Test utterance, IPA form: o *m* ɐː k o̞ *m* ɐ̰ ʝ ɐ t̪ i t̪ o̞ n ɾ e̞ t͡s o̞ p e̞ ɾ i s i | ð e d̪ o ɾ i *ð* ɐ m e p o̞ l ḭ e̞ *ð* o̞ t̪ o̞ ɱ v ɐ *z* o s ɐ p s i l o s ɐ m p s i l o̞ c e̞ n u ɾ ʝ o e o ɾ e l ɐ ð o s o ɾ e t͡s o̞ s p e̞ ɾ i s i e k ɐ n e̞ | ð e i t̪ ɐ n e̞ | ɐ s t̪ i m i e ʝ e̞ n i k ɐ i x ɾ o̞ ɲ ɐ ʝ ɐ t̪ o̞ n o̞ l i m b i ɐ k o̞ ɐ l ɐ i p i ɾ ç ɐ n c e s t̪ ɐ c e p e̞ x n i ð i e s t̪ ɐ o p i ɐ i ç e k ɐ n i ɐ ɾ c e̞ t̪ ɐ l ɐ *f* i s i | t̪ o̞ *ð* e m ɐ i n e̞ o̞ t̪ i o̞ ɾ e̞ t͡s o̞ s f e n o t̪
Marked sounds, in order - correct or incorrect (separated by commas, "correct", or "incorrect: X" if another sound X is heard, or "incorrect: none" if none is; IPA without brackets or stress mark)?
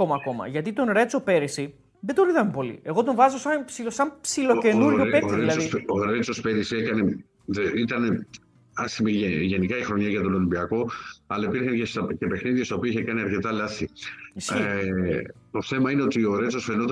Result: correct, correct, correct, incorrect: ɣ, correct, incorrect: θ, incorrect: θ